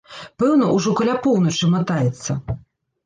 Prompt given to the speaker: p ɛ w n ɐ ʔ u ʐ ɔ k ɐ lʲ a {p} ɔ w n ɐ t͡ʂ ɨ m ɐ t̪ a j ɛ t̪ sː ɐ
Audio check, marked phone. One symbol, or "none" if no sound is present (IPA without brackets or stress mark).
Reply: p